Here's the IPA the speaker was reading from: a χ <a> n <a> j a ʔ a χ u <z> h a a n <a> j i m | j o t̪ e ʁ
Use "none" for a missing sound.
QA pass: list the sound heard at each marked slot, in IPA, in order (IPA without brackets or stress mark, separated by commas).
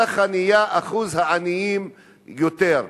a, i, z, i